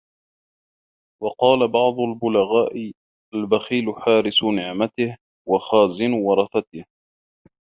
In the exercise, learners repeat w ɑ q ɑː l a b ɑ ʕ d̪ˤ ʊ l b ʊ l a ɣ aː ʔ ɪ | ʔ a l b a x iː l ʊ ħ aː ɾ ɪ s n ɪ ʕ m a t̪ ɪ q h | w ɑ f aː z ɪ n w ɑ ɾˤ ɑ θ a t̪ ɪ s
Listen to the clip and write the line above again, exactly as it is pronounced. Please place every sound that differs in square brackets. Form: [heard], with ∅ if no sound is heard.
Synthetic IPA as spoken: w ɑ q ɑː l a b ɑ ʕ d̪ˤ ʊ l b ʊ l a ɣ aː ʔ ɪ | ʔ a l b a x iː l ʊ ħ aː ɾ ɪ s n ɪ ʕ m a t̪ ɪ [∅] h | w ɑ [x] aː z ɪ n w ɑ ɾˤ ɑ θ a t̪ ɪ [h]

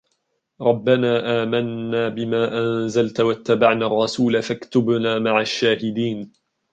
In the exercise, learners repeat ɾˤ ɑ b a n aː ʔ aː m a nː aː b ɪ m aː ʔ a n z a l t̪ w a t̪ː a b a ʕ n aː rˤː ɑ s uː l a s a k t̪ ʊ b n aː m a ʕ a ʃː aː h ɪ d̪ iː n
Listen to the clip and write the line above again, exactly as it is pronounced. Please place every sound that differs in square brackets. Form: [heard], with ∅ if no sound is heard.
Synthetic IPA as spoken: ɾˤ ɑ [bː] a n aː ʔ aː m a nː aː b ɪ m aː ʔ a n z a l t̪ w a t̪ː a b a ʕ n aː rˤː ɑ s uː l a [f] a k t̪ ʊ b n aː m a ʕ a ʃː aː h ɪ d̪ iː n

